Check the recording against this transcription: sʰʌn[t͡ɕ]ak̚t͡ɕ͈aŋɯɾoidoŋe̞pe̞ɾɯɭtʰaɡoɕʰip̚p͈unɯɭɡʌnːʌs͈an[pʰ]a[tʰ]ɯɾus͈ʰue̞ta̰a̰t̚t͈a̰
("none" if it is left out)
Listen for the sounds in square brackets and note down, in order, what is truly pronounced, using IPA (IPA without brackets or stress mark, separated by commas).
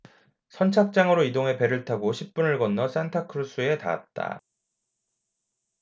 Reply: t͡ɕʰ, tʰ, kʰ